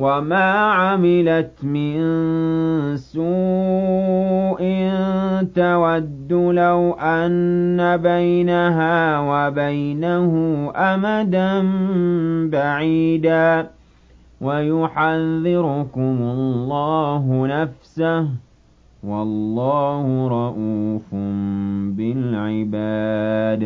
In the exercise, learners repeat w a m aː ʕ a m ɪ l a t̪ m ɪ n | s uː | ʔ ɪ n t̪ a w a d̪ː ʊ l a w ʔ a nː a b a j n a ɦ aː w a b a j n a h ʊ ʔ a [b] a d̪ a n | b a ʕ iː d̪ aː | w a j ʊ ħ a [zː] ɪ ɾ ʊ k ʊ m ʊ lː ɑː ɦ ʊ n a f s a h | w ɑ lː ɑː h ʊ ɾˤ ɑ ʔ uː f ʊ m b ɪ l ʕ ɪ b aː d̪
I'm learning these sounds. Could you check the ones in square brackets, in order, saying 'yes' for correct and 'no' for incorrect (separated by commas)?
no, no